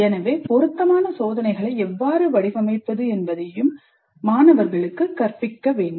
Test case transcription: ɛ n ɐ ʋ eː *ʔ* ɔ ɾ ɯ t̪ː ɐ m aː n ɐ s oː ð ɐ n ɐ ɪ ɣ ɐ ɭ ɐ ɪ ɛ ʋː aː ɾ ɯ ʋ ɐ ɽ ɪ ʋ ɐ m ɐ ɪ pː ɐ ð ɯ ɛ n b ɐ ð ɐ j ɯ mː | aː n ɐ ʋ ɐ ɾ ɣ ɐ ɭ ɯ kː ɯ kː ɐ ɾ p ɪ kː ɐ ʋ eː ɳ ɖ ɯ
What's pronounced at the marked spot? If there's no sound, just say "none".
p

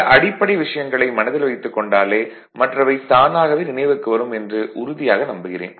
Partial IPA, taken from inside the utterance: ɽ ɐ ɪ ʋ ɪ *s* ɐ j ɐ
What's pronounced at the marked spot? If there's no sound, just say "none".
ʂ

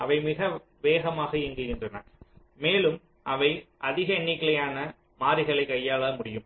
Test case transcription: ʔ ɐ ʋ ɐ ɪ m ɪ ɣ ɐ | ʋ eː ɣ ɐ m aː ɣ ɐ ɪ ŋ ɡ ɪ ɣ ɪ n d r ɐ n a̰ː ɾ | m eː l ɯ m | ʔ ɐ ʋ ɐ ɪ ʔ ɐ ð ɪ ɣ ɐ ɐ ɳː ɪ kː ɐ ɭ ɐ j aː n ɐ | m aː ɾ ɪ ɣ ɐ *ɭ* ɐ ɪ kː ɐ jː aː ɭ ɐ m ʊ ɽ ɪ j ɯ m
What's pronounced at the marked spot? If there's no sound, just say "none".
ɭ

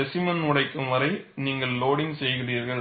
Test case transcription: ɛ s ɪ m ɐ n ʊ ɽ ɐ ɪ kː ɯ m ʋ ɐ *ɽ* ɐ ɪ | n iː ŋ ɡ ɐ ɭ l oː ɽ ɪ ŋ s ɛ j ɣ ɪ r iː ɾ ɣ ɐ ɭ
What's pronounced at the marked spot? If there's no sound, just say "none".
ɾ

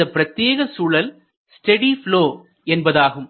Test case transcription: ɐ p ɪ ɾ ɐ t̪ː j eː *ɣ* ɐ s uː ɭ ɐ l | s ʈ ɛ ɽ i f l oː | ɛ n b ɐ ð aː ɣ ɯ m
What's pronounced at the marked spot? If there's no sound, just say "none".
ɣ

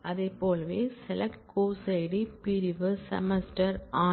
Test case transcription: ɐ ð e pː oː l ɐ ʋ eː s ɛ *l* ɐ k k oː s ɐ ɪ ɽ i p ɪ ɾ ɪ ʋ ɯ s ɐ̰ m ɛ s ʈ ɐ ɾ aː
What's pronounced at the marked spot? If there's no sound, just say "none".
l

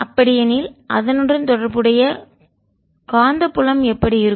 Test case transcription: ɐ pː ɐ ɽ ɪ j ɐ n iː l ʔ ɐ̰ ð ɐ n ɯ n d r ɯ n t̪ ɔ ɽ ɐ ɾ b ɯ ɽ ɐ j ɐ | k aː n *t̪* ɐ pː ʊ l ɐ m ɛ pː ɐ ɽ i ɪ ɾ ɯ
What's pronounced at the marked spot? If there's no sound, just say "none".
d̪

